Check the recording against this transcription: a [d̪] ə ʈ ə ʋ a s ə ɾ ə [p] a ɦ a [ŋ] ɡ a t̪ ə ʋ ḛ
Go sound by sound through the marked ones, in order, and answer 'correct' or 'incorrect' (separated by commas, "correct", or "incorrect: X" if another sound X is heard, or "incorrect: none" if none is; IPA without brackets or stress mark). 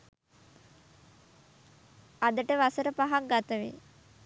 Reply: correct, correct, correct